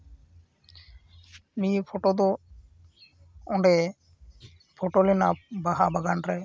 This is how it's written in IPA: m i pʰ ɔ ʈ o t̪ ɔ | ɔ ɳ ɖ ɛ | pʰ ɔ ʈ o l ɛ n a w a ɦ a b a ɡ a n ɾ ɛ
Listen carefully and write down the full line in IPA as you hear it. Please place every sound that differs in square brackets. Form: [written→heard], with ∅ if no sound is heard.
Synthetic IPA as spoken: [m→n] i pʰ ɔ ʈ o [t̪→d̪] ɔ | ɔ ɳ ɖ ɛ | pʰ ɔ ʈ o l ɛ n a [w→b] a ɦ a b a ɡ a n ɾ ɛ